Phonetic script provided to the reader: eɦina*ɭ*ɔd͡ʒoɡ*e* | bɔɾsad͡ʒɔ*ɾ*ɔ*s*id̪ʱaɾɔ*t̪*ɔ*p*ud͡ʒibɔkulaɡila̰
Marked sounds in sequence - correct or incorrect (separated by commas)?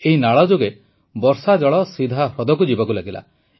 correct, correct, incorrect, correct, incorrect, incorrect